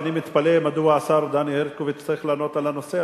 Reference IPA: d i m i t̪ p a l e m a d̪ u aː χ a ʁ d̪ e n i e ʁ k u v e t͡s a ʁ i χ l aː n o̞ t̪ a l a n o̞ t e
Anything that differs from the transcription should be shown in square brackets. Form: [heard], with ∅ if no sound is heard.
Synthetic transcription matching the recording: [n] i m i t̪ p a l e m a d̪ u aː [s] a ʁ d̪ [a] n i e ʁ k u v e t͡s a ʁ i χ l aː n o̞ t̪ a l a n o̞ [s] e